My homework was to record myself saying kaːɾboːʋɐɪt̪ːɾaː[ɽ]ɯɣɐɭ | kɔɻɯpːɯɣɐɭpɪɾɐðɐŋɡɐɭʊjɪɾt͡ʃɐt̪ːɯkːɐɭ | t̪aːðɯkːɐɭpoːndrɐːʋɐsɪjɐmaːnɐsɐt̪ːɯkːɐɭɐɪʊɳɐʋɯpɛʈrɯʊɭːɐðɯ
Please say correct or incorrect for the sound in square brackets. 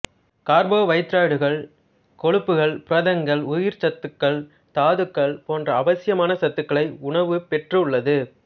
correct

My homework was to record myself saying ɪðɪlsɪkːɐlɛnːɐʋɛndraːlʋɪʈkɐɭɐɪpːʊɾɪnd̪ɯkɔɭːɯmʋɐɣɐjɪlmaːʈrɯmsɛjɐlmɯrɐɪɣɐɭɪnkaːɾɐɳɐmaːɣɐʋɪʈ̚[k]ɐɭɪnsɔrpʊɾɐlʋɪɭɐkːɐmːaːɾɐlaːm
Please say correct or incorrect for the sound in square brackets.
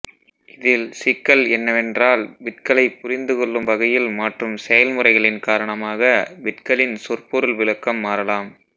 correct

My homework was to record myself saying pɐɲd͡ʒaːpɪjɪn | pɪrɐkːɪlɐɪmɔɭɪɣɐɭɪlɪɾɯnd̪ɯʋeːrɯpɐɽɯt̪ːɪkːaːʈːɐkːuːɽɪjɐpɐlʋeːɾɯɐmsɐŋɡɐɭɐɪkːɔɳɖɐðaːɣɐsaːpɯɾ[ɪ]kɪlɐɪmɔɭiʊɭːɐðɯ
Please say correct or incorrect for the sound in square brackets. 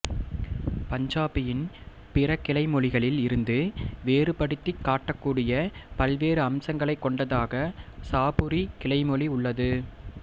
incorrect: i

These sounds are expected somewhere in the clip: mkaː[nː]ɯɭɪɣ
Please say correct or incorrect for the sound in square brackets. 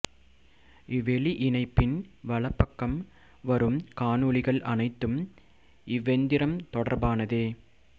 incorrect: n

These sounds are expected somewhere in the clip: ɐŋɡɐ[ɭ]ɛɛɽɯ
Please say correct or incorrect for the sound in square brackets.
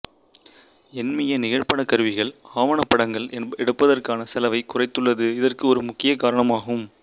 correct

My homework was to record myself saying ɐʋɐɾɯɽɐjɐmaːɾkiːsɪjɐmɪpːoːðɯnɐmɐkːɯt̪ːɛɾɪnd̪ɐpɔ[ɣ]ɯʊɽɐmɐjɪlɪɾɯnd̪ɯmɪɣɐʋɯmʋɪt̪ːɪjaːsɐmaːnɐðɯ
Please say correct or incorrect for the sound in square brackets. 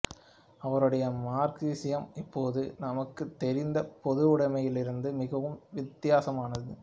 incorrect: ð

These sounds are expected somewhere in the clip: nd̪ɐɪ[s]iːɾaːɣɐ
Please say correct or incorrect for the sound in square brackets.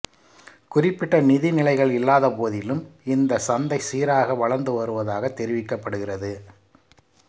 correct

